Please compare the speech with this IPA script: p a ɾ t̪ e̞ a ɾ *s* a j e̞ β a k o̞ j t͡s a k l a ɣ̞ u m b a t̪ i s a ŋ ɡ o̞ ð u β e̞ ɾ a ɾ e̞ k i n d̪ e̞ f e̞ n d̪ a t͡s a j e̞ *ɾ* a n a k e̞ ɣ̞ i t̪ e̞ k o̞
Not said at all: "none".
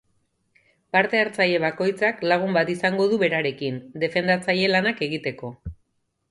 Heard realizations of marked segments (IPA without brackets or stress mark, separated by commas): t͡s, l